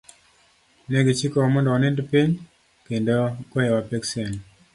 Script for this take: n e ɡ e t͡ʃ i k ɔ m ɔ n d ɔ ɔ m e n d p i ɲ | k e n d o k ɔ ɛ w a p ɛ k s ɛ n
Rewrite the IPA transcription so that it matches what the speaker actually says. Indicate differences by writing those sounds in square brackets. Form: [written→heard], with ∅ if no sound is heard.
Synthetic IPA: n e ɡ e t͡ʃ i k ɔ m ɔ n d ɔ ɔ [m→n] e n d p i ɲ | k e n d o k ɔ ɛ w a p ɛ k s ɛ n